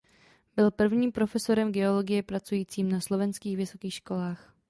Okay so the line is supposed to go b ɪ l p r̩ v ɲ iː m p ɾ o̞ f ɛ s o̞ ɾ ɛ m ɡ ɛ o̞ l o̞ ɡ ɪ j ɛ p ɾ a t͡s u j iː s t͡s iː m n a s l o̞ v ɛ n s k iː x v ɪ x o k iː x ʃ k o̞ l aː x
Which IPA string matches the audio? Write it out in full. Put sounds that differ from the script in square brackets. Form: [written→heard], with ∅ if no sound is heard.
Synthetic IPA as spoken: b ɪ l p r̩ v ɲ iː m p ɾ o̞ f ɛ s o̞ ɾ ɛ m ɡ ɛ o̞ l o̞ ɡ ɪ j ɛ p ɾ a t͡s u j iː [s→∅] t͡s iː m n a s l o̞ v ɛ n s k iː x v ɪ [x→s] o k iː x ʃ k o̞ l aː x